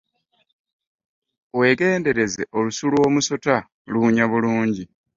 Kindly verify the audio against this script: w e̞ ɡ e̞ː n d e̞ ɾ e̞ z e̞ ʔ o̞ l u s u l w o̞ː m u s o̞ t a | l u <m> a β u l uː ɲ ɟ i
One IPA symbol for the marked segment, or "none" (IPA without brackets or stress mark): ɲ